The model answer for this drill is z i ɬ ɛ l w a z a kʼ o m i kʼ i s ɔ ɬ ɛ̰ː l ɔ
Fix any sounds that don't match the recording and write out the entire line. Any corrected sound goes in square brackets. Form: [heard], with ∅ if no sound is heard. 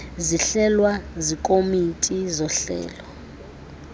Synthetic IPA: z i ɬ ɛ l w a z [i] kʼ o m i [tʼ] i [z] ɔ ɬ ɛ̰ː l ɔ